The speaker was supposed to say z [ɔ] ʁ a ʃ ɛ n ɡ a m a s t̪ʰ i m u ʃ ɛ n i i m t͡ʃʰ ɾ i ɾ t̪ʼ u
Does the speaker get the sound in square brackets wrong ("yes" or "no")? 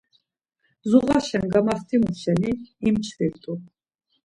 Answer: yes